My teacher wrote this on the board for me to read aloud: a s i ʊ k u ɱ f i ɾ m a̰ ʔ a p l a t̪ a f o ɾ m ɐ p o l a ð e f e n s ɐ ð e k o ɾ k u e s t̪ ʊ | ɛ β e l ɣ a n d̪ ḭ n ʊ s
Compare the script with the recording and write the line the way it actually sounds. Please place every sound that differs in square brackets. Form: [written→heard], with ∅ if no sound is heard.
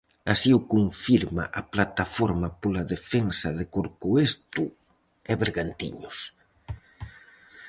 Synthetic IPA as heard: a s i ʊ k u ɱ f i ɾ m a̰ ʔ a p l a t̪ a f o ɾ m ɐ p o l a ð e f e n s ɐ ð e k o ɾ k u e s t̪ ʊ | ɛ β e [l→ɾ] ɣ a n [d̪→t̪] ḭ [n→ɲ] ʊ s